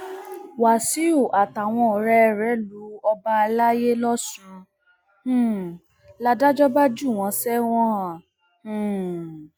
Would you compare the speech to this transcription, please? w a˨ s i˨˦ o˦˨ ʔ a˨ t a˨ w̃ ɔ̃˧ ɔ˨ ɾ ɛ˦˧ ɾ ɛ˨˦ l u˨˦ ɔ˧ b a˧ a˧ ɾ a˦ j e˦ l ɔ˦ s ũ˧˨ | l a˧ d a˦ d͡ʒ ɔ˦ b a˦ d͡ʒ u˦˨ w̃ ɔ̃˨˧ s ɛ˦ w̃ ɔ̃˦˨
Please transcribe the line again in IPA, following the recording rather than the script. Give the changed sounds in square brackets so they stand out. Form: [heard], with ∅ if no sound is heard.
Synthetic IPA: w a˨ s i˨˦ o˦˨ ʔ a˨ t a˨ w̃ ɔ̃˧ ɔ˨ ɾ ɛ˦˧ ɾ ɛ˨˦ l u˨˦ ɔ˧ b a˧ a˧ [l] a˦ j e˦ l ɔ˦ s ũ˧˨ | l a˧ d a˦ d͡ʒ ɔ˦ b a˦ d͡ʒ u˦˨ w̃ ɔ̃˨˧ s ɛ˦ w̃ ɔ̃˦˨